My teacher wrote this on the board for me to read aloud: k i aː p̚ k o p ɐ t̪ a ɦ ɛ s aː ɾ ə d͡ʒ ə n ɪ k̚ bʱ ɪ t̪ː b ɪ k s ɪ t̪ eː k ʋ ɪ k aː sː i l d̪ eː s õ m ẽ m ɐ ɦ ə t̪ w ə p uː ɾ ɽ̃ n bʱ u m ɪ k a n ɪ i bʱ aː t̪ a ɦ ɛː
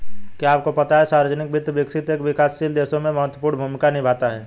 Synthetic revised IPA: k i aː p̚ k o p ɐ t̪ a ɦ ɛ s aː ɾ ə d͡ʒ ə n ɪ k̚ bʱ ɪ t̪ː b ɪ k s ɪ t̪ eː k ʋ ɪ k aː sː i l d̪ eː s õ m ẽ m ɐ ɦ ə t̪ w ə p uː ɾ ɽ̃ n bʱ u m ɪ k a n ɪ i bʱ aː t̪ a ɦ ɛː